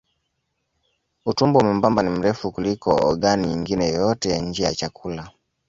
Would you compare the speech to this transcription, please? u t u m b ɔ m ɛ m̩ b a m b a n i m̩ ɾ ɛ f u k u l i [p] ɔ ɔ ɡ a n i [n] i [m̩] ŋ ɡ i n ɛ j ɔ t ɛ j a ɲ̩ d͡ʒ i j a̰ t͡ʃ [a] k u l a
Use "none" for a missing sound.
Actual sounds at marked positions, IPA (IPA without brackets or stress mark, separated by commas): k, ɲ, none, a